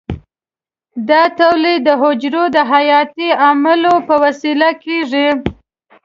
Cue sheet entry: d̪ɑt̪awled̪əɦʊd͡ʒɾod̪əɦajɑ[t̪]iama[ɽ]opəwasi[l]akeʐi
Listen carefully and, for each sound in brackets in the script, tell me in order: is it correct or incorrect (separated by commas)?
correct, incorrect, correct